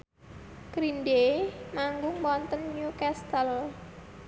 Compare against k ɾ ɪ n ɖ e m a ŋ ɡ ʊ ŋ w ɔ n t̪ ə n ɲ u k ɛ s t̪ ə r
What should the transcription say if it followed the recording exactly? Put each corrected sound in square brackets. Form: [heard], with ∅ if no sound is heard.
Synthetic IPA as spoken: k ɾ [i] n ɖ e m a ŋ ɡ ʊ ŋ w ɔ n t̪ ə n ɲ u k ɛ s t̪ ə [l]

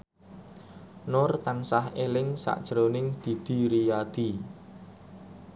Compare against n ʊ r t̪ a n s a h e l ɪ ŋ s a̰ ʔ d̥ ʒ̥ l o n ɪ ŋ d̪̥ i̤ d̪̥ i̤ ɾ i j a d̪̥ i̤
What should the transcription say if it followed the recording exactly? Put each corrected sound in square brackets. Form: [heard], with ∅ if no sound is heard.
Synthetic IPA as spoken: n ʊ r t̪ a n s a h e l ɪ ŋ s a̰ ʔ d̥ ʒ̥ [ɾ] o n ɪ ŋ d̪̥ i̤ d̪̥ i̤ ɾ i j a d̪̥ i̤

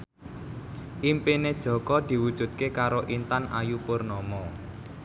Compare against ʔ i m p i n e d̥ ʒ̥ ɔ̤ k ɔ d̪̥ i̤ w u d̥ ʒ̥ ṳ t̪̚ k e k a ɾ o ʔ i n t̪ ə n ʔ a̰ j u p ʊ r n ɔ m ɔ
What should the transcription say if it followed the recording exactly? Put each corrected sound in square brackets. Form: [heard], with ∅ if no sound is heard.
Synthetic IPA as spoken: ʔ i m p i n e d̥ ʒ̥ ɔ̤ k ɔ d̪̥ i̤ w u d̥ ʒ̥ ṳ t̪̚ k e k a ɾ o ʔ i n t̪ [a] n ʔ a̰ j u p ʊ r n ɔ m ɔ

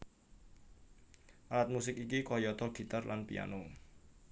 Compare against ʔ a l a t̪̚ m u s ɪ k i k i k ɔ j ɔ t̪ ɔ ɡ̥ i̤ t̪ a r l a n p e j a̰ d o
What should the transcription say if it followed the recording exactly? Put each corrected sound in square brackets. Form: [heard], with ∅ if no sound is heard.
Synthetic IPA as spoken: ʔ a l a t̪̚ m u s ɪ k i k i k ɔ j ɔ t̪ ɔ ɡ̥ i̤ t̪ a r l a n p [i] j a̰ [n] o

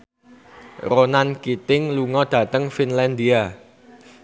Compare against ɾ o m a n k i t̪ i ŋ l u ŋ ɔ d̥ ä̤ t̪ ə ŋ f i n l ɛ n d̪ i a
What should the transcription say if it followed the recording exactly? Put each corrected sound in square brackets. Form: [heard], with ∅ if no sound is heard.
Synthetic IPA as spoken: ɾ o [n] a n k i t̪ [ɪ] ŋ l u ŋ ɔ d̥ ä̤ t̪ ə ŋ f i n l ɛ n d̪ i a

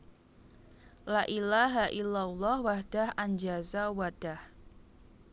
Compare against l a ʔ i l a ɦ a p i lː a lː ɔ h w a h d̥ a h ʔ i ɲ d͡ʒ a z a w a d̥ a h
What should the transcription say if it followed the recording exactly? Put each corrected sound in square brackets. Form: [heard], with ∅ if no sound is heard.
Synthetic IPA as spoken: l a ʔ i l a ɦ a [ʔ] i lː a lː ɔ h w a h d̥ a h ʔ [a] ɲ d͡ʒ a z a w a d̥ a h

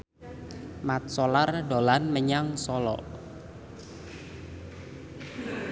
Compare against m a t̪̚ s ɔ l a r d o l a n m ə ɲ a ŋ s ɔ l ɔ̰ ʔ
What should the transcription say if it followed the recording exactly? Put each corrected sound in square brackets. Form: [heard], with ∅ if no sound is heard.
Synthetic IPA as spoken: m a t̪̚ s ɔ l a r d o l a n m ə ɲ a ŋ s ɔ l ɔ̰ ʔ

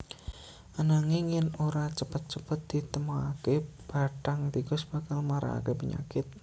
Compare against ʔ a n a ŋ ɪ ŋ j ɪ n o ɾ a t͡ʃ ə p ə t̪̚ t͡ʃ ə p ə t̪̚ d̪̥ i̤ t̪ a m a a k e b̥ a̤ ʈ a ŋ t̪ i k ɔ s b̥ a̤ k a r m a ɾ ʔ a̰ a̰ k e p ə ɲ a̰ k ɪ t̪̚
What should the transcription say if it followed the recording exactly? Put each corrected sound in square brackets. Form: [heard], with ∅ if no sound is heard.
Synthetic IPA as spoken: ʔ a n a ŋ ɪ ŋ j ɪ n o ɾ a t͡ʃ ə p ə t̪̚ t͡ʃ ə p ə t̪̚ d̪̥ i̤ t̪ [ə] m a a k e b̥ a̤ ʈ a ŋ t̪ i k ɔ s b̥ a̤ k a [l] m a ɾ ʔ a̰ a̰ k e p ə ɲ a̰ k ɪ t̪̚

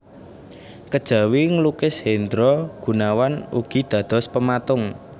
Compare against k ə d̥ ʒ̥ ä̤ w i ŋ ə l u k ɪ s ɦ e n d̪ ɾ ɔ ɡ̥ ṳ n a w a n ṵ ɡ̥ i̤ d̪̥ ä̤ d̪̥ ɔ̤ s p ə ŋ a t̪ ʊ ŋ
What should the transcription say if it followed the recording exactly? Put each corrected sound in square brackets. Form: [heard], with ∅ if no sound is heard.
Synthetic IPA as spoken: k ə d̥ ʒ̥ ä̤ w i ŋ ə l u k ɪ s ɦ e n d̪ ɾ ɔ ɡ̥ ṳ n a w a n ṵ ɡ̥ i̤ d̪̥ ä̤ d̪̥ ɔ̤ s p ə [m] a t̪ ʊ ŋ

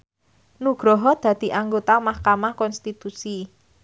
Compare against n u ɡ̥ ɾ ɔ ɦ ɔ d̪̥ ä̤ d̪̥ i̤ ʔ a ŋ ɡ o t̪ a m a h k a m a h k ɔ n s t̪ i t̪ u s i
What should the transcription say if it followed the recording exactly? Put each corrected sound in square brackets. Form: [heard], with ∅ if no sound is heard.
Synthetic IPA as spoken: n u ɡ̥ ɾ ɔ ɦ ɔ d̪̥ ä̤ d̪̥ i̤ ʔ a ŋ ɡ o t̪ a m a h k a m a h k ɔ n s t̪ i t̪ u s i

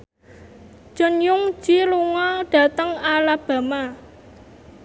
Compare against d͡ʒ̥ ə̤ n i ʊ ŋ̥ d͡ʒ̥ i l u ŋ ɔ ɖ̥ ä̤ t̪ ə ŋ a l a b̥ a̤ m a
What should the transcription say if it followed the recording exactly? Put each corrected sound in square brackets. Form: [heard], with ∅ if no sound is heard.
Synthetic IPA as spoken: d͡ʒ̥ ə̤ n [j] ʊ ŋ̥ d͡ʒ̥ i l u ŋ ɔ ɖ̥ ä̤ t̪ ə ŋ a l a b̥ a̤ m a

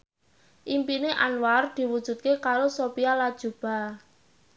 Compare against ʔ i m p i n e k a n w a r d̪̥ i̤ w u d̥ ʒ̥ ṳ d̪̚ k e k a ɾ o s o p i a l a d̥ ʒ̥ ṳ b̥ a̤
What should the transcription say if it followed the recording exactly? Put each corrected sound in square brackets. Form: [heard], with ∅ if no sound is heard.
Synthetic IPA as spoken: ʔ i m p i n e [ʔ] a n w a r d̪̥ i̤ w u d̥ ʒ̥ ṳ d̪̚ k e k a ɾ o s o p i a l a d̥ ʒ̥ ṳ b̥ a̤

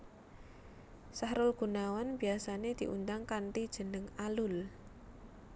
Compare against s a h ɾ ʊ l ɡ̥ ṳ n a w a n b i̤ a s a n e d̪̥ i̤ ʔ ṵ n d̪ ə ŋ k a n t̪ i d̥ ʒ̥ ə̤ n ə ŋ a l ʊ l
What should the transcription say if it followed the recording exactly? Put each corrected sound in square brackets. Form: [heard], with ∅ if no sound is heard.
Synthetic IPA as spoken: s a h ɾ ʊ l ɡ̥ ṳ n a w a n b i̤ a s a n e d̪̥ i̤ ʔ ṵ n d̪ [a] ŋ k a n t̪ i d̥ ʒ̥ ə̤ n ə ŋ a l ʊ l

